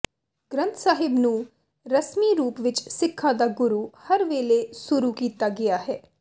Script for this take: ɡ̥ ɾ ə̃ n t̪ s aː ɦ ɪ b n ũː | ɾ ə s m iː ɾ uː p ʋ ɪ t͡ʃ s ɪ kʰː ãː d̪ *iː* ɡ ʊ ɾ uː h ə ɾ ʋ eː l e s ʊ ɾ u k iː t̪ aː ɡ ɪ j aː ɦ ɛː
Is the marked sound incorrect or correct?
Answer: incorrect